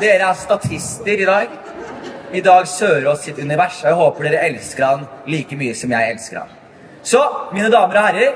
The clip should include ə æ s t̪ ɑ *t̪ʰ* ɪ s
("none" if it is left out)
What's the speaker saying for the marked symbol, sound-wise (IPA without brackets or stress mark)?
t̪ʰ